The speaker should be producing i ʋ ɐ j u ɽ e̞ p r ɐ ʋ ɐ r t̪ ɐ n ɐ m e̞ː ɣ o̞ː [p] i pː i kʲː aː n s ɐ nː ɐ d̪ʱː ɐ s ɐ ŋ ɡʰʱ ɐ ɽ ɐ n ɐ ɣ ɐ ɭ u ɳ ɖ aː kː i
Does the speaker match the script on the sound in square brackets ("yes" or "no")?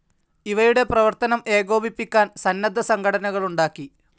no